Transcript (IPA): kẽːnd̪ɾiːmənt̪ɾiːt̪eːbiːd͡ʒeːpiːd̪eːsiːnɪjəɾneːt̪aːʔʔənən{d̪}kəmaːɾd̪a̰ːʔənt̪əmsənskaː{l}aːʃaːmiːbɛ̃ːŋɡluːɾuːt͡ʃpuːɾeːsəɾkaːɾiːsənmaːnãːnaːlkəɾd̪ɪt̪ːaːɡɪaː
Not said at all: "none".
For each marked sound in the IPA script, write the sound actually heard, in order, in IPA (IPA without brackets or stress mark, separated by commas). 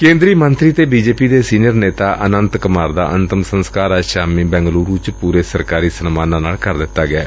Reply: t̪, ɾ